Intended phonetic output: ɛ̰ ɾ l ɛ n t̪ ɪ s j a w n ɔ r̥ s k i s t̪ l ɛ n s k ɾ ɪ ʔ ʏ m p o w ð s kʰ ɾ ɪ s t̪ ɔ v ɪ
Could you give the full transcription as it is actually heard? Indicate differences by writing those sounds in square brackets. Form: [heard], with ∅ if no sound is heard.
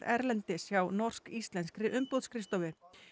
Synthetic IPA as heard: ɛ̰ ɾ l ɛ n t̪ ɪ s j a w n ɔ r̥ s k i s t̪ l ɛ n s k ɾ ɪ ʔ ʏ m p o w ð s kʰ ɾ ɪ s t̪ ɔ v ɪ